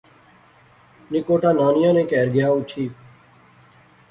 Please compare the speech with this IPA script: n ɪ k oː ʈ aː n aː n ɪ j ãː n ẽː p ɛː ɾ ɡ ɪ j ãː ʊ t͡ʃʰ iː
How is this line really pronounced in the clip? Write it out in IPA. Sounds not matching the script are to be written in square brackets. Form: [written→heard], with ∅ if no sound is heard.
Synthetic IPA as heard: n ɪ k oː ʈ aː n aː n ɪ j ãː n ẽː [p→k] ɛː ɾ ɡ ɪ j [ãː→aː] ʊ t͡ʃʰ iː